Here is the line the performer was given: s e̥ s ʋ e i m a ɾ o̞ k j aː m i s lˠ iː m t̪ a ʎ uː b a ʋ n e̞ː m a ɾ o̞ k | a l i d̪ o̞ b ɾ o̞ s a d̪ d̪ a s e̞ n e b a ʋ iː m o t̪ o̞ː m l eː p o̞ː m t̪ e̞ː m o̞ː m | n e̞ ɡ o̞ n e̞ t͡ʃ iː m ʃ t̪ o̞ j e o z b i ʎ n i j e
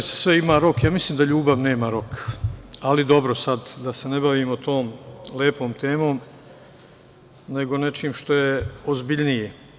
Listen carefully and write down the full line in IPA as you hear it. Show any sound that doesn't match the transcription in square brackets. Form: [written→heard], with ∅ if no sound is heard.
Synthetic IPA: s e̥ s ʋ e i m a ɾ o̞ k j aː m i s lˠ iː m [t̪→d̪] a ʎ uː b a ʋ n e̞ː m a ɾ o̞ k | a l i d̪ o̞ b ɾ o̞ s a d̪ d̪ a s e̞ n e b a ʋ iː m o t̪ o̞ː m l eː p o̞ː m t̪ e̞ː m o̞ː m | n e̞ ɡ o̞ n e̞ t͡ʃ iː m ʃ t̪ o̞ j e o z b i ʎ n i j e